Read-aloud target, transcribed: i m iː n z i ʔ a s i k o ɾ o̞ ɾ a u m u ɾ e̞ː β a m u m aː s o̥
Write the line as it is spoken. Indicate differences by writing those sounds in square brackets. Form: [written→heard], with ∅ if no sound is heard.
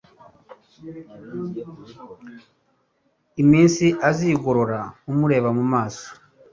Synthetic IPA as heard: i m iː n [z→s] i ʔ a [s→z] i [k→ɡ] o ɾ o̞ ɾ a u m u ɾ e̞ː β a m u m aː s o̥